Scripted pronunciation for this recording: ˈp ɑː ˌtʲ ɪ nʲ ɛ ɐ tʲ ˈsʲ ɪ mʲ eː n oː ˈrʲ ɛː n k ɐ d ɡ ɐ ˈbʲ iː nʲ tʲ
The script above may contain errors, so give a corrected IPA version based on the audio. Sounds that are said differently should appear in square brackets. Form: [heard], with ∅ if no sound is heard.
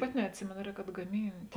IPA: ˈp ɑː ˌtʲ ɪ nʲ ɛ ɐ tʲ ˈsʲ ɪ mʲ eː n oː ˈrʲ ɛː [∅] k ɐ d ɡ ɐ [ˈmʲ] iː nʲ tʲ